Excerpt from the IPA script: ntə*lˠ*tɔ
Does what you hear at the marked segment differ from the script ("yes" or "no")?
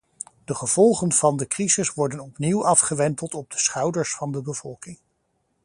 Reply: no